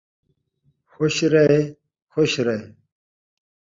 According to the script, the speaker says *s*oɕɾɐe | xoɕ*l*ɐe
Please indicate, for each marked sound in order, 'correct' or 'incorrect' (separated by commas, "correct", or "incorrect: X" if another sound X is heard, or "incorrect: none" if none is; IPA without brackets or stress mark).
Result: incorrect: x, incorrect: ɾ